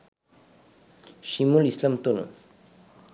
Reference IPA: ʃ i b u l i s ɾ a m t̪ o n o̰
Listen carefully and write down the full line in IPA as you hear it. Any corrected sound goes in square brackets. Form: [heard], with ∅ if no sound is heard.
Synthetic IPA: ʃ i [m] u l i s [l] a m t̪ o n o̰